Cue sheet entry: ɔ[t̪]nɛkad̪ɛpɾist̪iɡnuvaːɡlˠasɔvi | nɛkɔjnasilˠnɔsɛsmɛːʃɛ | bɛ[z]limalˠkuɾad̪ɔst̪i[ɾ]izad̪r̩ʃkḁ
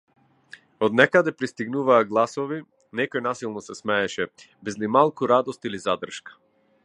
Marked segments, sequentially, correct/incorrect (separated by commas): incorrect, correct, incorrect